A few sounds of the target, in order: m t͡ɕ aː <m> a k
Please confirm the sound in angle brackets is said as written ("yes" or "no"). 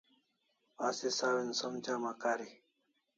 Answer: yes